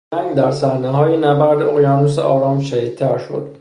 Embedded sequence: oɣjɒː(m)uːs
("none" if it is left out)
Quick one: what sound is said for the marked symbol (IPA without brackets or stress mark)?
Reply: n